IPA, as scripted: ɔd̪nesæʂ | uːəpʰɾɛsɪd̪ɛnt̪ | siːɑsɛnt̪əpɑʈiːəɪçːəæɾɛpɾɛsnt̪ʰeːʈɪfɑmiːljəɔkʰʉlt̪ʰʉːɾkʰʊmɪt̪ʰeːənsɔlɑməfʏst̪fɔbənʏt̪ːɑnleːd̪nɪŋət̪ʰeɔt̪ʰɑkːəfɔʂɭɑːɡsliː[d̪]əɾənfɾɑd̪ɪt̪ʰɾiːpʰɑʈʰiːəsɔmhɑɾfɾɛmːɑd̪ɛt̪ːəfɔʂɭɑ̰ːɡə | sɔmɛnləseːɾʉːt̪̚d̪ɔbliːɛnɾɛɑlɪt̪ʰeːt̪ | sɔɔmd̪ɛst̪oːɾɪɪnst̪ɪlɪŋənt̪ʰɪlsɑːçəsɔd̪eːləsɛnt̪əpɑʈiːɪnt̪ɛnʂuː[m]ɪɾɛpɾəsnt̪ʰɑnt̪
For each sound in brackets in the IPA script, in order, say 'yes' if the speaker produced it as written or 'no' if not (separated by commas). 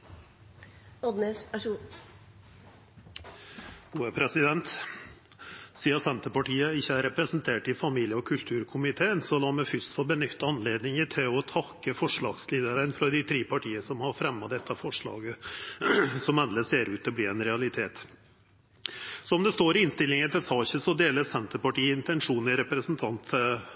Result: yes, no